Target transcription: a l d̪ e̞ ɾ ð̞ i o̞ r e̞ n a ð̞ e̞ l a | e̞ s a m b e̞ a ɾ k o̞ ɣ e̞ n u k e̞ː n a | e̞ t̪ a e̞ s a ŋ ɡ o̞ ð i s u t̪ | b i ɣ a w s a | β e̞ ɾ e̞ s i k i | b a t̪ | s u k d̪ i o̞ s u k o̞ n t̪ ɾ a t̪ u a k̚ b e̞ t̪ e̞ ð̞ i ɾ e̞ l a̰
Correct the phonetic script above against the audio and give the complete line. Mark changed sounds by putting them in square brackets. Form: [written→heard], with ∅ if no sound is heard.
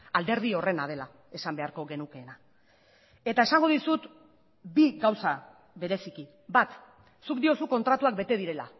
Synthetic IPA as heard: a l d̪ e̞ ɾ ð̞ i o̞ r e̞ n a ð̞ e̞ l a | e̞ s a m b e̞ a ɾ k o̞ ɣ e̞ n u k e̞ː n a | e̞ t̪ a e̞ s a ŋ ɡ o̞ ð i s u t̪ | b i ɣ a w s a | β e̞ ɾ e̞ s i k i | b a t̪ | s u k d̪ i o̞ s u k o̞ n t̪ ɾ a t̪ u a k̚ b e̞ t̪ e̞ ð̞ i ɾ e̞ l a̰